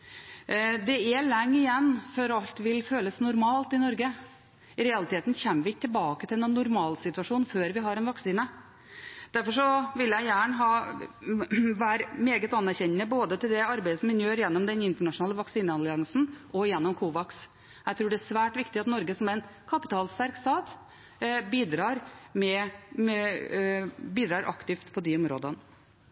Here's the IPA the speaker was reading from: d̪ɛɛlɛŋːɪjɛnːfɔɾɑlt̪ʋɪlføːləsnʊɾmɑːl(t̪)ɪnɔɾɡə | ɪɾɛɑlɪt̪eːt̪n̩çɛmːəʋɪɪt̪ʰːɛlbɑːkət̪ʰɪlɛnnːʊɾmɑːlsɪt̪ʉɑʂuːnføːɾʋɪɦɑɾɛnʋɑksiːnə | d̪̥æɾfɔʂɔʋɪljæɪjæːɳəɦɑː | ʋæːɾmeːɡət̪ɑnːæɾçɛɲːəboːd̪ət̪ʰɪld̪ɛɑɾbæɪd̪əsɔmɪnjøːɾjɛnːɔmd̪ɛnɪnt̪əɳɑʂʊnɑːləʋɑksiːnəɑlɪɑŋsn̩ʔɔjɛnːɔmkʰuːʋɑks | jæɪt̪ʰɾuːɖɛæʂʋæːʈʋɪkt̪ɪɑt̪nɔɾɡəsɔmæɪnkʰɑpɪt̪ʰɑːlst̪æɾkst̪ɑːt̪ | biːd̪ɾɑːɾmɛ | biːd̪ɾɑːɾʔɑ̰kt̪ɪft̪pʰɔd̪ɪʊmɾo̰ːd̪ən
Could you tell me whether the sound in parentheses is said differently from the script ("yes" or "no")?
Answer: no